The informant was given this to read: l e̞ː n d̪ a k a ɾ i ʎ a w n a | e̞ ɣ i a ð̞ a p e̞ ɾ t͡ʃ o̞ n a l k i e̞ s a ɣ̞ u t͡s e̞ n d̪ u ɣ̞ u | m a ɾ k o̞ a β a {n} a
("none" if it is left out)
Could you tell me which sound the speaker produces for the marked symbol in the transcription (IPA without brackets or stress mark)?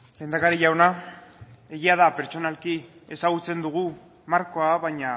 ɲ